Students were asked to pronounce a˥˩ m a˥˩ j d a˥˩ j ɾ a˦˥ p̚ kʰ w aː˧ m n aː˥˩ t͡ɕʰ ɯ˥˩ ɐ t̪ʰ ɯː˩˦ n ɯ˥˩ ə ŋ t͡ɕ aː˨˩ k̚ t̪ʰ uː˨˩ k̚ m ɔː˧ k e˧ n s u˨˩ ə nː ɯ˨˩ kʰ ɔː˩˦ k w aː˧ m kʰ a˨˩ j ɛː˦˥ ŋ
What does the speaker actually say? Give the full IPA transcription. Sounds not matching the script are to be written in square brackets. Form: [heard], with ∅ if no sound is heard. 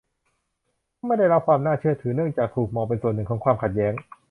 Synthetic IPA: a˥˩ m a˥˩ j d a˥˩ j ɾ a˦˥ p̚ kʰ w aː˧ m n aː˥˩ t͡ɕʰ ɯ˥˩ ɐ t̪ʰ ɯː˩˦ n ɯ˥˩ ə ŋ t͡ɕ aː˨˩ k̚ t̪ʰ uː˨˩ k̚ m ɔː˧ [p] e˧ n s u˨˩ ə nː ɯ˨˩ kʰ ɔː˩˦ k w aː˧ m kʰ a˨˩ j ɛː˦˥ ŋ

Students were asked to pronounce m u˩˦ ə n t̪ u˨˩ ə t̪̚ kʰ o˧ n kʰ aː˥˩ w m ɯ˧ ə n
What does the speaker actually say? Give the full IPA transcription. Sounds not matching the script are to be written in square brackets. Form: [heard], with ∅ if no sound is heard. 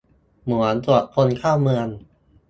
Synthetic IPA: m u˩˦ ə n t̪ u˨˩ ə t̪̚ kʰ o˧ n kʰ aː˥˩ w m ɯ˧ ə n

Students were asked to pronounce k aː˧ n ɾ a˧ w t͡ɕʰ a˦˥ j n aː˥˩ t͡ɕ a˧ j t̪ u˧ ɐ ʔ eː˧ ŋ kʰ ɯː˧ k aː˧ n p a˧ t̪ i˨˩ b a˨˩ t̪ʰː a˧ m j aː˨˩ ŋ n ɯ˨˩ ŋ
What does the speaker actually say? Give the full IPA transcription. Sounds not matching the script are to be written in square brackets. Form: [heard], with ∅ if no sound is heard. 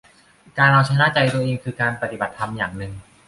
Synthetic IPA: k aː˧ n ɾ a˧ w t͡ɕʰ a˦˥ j n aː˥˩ t͡ɕ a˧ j t̪ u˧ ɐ ʔ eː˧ ŋ kʰ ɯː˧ k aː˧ n p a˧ t̪ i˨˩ b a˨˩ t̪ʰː a˧ m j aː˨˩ ŋ n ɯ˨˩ ŋ

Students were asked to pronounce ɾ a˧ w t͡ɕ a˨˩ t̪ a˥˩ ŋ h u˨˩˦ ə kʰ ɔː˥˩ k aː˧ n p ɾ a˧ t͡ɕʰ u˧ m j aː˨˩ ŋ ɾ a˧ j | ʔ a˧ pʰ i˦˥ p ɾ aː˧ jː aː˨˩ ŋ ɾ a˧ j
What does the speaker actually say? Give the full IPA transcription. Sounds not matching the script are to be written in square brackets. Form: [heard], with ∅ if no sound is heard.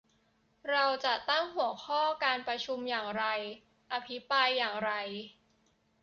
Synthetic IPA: ɾ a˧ w t͡ɕ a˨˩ t̪ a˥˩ ŋ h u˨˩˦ ə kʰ ɔː˥˩ k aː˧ n p ɾ a˧ t͡ɕʰ u˧ m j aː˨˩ ŋ ɾ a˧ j | ʔ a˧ pʰ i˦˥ p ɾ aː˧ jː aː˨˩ ŋ ɾ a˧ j

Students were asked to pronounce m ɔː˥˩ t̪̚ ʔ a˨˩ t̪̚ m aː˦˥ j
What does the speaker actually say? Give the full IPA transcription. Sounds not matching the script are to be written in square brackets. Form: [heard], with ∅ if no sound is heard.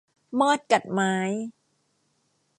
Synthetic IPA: m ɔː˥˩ t̪̚ [k] a˨˩ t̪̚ m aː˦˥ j

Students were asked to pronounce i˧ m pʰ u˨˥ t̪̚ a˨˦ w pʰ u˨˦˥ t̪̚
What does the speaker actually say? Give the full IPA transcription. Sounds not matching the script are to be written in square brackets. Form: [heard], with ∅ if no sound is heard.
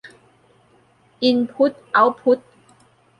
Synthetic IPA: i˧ [n] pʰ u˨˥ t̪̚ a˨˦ w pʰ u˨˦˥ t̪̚

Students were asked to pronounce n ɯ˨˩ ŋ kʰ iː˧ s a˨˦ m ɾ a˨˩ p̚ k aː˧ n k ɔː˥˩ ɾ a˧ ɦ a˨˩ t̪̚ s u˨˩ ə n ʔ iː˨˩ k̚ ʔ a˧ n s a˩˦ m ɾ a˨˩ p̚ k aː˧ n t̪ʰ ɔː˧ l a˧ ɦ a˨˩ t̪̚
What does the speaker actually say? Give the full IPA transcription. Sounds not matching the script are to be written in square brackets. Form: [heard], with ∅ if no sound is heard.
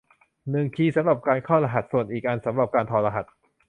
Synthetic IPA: n ɯ˨˩ ŋ kʰ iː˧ s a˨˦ m ɾ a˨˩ p̚ k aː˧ n [kʰ] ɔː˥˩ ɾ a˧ ɦ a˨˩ t̪̚ s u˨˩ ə n ʔ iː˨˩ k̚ ʔ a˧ n s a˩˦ m ɾ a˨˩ p̚ k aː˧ n t̪ʰ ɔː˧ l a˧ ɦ a˨˩ t̪̚

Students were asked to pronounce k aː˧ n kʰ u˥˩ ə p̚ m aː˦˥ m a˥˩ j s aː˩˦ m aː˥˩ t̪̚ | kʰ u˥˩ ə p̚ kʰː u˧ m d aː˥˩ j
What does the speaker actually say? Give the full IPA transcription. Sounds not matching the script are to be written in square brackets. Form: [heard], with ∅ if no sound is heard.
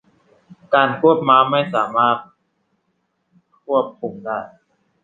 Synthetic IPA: k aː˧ n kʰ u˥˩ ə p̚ m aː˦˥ m a˥˩ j s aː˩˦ m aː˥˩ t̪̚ | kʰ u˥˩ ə p̚ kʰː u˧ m d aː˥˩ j

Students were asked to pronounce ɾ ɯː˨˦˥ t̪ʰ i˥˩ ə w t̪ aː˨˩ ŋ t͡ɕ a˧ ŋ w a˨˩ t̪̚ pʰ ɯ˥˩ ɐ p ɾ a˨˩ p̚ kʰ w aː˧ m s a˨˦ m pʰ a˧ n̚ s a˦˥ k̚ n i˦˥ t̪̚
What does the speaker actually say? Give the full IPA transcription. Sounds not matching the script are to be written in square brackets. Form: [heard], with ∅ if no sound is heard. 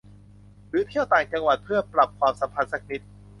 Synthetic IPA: ɾ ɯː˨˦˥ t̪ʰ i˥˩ ə w t̪ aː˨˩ ŋ t͡ɕ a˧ ŋ w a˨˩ t̪̚ pʰ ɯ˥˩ ɐ p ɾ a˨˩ p̚ kʰ w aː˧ m s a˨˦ m pʰ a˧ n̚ s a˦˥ k̚ n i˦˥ t̪̚

